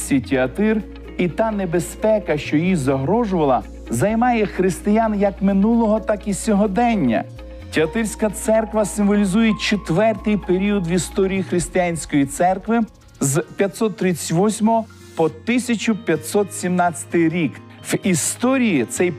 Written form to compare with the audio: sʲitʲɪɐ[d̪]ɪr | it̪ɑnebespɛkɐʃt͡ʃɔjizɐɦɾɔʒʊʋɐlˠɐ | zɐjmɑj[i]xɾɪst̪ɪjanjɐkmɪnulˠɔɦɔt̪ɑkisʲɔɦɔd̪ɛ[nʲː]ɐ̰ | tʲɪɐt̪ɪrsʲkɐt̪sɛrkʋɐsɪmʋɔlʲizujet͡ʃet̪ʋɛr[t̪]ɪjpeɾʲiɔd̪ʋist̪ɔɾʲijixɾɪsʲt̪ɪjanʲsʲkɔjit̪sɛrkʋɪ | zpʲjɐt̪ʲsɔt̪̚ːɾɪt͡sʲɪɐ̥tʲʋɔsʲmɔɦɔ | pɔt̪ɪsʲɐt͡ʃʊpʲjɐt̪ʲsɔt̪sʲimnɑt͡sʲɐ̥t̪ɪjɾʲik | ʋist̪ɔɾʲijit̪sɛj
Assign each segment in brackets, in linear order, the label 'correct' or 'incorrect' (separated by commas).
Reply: incorrect, incorrect, correct, correct